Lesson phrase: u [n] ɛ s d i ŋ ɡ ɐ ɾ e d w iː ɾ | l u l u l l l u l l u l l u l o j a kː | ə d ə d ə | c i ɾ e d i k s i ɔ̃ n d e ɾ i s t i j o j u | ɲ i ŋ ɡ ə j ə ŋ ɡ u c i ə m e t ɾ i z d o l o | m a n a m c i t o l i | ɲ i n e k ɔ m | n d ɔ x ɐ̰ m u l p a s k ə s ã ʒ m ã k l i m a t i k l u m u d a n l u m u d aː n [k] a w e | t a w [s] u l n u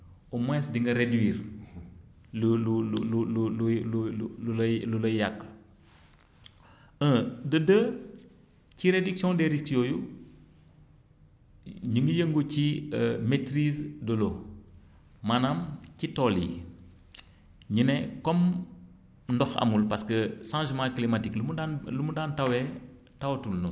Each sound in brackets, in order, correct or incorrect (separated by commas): incorrect, incorrect, incorrect